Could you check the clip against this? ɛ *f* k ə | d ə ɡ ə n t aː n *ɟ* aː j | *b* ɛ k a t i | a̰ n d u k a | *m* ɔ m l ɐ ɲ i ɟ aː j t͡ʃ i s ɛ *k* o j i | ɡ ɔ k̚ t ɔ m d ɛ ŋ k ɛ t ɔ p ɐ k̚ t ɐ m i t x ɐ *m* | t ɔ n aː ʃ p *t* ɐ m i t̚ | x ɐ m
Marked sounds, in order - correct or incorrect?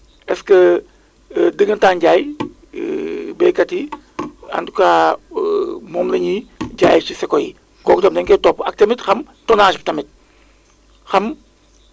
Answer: incorrect, correct, correct, correct, correct, correct, correct

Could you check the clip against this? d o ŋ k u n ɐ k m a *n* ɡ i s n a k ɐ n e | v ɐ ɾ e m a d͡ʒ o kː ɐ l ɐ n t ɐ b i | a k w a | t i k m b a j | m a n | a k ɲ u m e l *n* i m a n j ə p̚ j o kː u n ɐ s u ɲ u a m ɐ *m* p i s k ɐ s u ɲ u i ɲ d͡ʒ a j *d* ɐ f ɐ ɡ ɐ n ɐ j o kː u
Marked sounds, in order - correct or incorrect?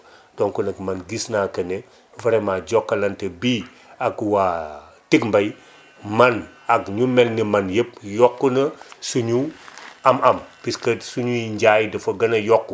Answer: correct, correct, correct, correct

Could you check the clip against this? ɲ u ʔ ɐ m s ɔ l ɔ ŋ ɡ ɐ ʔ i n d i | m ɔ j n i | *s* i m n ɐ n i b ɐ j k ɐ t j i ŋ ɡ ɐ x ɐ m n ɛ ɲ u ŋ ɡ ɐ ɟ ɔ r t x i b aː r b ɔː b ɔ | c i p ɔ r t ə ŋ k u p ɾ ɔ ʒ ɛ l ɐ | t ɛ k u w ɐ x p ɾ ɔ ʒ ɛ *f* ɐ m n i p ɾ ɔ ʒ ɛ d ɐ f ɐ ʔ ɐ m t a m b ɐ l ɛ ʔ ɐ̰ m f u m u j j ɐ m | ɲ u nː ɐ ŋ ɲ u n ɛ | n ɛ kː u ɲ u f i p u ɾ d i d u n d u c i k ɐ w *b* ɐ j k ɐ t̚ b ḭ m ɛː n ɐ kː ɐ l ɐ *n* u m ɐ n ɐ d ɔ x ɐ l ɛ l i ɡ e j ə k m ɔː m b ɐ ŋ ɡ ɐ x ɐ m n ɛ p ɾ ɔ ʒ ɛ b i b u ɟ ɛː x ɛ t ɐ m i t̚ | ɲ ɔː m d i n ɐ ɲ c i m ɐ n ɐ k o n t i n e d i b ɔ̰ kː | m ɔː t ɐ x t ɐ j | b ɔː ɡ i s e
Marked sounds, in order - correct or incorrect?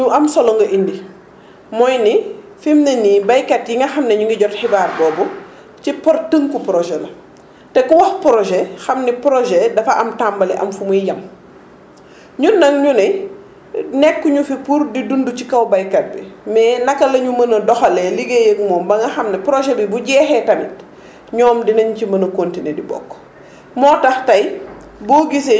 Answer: incorrect, incorrect, correct, incorrect

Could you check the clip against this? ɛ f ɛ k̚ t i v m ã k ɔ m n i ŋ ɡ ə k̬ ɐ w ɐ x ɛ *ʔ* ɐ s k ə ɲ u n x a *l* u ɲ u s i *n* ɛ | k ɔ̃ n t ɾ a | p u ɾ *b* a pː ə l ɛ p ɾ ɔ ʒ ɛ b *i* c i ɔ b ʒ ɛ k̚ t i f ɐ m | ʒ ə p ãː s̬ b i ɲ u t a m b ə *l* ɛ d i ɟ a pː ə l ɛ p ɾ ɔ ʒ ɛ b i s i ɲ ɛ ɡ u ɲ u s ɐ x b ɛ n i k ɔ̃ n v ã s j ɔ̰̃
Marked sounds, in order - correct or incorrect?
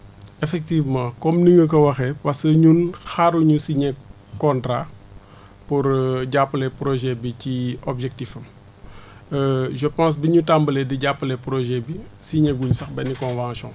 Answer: incorrect, incorrect, incorrect, incorrect, correct, correct

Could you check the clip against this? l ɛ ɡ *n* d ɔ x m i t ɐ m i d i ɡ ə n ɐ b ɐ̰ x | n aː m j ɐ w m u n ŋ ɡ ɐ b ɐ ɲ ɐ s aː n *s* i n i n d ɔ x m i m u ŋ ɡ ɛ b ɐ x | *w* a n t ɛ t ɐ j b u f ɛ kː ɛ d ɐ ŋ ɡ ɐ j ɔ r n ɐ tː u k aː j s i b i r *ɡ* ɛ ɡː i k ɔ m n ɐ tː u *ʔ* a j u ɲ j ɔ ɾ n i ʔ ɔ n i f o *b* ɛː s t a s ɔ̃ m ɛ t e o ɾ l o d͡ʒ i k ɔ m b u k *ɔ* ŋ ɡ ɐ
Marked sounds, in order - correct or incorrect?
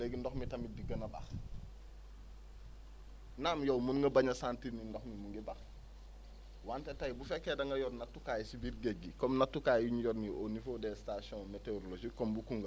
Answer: correct, incorrect, correct, correct, incorrect, incorrect, incorrect

